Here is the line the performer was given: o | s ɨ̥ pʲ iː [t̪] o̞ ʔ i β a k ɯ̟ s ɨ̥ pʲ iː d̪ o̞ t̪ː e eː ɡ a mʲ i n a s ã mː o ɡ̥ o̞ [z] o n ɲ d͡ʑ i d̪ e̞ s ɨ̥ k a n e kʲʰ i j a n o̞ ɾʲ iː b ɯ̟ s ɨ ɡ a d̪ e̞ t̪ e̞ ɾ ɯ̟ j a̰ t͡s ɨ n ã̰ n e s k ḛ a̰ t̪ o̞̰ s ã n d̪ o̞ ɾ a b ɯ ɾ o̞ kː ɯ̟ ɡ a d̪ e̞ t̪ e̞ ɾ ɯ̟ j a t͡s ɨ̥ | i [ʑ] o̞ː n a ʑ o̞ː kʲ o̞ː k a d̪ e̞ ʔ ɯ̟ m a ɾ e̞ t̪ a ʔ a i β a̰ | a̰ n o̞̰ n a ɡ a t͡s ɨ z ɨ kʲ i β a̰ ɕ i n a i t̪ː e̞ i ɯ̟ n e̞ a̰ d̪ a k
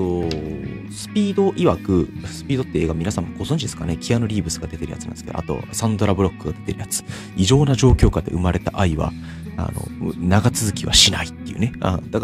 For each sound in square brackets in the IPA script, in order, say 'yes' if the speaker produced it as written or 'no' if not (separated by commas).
no, yes, yes